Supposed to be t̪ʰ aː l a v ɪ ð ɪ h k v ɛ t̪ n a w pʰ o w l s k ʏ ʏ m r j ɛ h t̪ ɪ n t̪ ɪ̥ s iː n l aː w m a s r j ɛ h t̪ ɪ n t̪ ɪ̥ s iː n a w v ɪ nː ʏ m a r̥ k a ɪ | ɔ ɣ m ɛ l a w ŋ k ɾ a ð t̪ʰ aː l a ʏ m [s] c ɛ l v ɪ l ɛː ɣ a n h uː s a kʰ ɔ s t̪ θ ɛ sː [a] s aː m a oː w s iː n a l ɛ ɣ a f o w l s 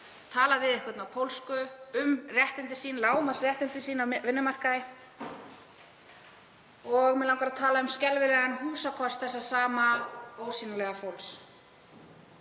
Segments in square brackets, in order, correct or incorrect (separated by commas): correct, correct